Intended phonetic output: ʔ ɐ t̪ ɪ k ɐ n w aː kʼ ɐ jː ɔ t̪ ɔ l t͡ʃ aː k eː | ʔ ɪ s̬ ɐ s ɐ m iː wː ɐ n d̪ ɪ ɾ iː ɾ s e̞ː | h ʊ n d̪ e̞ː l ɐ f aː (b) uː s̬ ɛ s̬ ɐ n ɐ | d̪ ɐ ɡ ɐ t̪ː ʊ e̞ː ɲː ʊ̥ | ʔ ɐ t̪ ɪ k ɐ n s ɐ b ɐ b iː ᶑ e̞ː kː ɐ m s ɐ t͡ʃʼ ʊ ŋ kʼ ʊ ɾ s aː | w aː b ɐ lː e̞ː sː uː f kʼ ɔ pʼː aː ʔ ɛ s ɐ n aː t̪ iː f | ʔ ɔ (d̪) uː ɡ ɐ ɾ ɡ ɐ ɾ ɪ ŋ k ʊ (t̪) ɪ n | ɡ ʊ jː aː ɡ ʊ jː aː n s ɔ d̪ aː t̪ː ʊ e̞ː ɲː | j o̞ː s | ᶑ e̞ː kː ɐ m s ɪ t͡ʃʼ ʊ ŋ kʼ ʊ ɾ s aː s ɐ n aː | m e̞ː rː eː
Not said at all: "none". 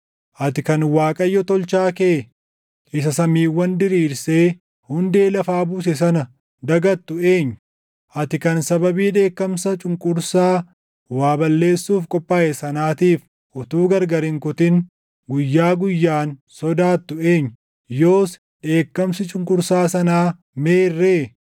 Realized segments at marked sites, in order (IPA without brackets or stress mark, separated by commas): b, t̪, t̪